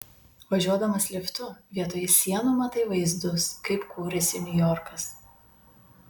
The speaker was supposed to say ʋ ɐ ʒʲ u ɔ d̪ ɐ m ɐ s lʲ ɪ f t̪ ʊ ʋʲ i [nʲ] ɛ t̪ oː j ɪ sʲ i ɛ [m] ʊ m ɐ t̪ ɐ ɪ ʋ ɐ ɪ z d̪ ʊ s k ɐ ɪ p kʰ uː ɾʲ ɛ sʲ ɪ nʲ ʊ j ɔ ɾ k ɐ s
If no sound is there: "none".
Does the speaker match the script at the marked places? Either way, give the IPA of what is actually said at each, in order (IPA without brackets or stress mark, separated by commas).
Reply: none, n